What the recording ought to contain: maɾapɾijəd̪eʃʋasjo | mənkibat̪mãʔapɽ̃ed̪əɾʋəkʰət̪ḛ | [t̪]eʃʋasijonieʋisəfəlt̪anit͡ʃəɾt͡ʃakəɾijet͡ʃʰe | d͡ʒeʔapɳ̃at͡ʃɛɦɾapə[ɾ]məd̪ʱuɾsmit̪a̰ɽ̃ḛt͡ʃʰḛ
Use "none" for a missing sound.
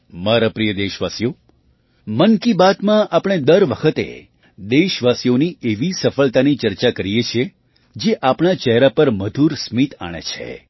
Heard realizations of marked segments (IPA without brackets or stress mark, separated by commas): d̪, ɾ